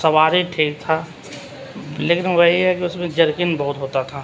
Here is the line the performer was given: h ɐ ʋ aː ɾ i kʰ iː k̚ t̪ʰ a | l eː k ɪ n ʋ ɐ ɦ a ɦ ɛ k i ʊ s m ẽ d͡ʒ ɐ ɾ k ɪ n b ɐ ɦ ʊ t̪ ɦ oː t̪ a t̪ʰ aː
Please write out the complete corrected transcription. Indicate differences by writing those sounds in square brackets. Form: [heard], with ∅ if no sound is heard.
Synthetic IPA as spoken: [s] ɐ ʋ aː ɾ i [ʈʰ] iː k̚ t̪ʰ a | l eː k ɪ n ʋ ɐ ɦ [i] ɦ ɛ k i ʊ s m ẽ d͡ʒ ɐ ɾ k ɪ n b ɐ ɦ ʊ t̪ ɦ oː t̪ a t̪ʰ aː

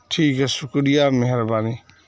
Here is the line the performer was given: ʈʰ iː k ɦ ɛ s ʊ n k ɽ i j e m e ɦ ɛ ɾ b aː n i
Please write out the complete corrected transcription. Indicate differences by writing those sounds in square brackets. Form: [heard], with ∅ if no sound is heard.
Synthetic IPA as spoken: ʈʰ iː k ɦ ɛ s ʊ [∅] k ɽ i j [a] m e ɦ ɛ ɾ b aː n i

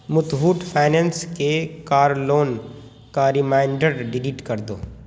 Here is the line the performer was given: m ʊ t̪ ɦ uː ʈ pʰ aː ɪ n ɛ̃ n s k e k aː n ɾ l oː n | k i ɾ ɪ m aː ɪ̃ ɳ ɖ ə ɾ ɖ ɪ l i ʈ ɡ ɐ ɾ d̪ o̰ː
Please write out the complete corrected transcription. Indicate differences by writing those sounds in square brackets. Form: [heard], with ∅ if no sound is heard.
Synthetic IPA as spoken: m ʊ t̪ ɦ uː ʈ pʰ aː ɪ n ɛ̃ n s k e k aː [∅] ɾ l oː n | k [a] ɾ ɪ m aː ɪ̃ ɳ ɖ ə ɾ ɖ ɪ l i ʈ [k] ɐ ɾ d̪ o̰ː

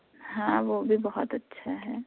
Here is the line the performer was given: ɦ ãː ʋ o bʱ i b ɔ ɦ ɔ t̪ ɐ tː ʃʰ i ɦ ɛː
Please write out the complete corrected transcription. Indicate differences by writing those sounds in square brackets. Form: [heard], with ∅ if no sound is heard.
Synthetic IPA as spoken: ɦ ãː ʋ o bʱ i b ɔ ɦ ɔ t̪ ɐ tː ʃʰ [a] ɦ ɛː

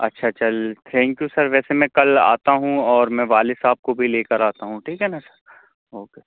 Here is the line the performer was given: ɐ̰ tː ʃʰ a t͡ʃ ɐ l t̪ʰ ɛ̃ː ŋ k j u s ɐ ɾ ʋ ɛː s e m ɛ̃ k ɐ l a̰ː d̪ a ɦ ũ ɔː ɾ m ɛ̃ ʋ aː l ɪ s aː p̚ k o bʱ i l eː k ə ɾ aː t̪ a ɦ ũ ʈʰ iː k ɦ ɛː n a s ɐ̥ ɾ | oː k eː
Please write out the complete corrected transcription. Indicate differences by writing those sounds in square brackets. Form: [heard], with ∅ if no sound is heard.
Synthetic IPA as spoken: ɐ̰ tː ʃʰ a t͡ʃ ɐ l t̪ʰ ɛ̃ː ŋ k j u s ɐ ɾ ʋ ɛː s e m ɛ̃ k ɐ l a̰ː [t̪] a ɦ ũ ɔː ɾ m ɛ̃ ʋ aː l ɪ s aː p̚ k o bʱ i l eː k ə ɾ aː t̪ a ɦ ũ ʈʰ iː k ɦ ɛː n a s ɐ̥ ɾ | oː k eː

